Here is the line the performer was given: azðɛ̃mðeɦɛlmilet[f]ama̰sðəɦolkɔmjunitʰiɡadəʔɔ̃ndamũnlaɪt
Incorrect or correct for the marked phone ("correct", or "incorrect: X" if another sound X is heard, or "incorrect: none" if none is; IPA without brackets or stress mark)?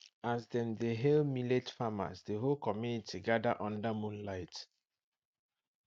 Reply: correct